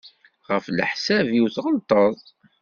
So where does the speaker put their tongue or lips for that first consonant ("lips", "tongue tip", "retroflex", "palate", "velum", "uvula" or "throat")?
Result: uvula